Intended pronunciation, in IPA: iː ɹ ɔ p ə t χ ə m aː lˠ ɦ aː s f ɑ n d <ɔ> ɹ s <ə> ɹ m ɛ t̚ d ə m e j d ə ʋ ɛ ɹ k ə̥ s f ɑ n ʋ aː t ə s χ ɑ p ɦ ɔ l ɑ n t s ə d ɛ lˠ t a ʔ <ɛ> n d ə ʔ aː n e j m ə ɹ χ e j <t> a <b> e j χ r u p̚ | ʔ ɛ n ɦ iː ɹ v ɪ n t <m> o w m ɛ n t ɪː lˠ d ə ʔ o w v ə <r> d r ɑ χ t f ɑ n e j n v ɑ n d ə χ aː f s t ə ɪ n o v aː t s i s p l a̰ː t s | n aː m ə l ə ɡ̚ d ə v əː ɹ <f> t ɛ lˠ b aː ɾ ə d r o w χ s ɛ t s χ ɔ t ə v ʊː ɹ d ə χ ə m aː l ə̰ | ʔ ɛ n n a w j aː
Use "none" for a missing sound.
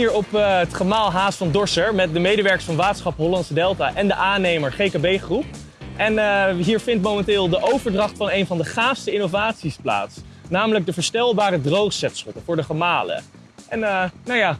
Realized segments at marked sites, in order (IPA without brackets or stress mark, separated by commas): ɔ, ə, ɛ, k, b, m, ɹ, s